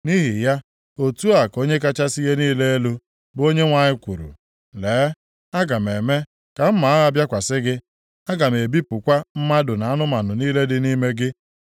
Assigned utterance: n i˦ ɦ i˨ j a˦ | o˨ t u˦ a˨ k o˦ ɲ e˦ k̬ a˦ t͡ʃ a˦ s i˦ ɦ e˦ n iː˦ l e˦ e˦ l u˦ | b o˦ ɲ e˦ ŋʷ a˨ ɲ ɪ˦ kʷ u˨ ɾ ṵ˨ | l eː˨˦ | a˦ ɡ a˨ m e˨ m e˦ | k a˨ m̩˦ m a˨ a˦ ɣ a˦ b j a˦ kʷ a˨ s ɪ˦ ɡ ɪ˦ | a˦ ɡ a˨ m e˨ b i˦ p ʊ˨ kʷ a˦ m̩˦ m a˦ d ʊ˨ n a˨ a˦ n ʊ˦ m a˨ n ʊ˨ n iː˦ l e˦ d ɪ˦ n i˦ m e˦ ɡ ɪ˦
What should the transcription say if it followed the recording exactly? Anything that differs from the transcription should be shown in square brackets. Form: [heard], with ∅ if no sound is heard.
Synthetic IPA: n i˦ ɦ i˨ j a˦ | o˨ t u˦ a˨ k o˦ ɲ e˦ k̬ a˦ t͡ʃ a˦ s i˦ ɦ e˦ n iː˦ l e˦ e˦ l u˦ | b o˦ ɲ e˦ ŋʷ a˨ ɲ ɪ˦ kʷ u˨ ɾ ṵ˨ | l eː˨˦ | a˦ ɡ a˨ m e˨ m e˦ | k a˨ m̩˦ m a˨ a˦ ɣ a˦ b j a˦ kʷ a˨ s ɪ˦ ɡ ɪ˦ | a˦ ɡ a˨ m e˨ b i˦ p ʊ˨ kʷ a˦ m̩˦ m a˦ d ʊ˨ n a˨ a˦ n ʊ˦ m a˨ n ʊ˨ n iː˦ l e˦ d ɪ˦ n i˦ m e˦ ɡ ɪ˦